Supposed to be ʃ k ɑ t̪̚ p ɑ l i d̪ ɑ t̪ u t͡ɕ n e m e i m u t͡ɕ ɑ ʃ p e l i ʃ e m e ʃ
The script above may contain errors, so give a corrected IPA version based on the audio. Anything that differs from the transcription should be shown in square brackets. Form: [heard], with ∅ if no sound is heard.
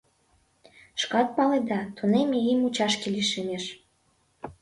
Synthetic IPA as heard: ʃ k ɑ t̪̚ p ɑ l [e] d̪ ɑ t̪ u [∅] n e m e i m u t͡ɕ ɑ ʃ [k] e l i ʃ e m e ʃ